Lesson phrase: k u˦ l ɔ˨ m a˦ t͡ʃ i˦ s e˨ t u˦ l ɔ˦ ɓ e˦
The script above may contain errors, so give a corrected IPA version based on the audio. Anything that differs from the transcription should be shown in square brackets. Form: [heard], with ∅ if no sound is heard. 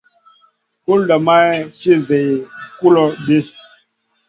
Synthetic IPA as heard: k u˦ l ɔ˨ m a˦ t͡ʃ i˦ [z] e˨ [k] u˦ l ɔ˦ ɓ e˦